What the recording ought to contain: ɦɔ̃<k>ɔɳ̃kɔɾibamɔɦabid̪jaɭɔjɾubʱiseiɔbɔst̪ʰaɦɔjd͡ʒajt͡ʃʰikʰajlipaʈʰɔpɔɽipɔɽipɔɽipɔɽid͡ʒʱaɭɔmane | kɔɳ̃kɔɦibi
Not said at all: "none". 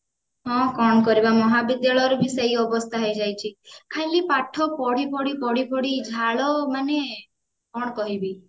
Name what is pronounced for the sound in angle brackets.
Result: k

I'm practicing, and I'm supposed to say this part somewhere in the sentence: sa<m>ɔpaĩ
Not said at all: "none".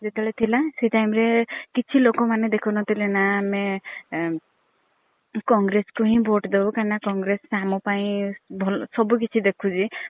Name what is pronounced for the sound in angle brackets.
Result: m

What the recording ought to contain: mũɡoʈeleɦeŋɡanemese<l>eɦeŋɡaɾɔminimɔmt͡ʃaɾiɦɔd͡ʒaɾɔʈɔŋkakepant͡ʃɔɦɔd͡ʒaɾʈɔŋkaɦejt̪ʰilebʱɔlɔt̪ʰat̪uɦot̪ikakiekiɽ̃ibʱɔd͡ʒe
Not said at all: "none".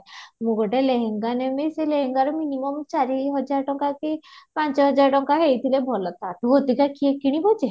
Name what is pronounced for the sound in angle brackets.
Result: l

